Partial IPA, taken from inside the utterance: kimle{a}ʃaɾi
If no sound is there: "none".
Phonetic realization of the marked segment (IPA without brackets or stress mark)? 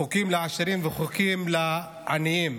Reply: a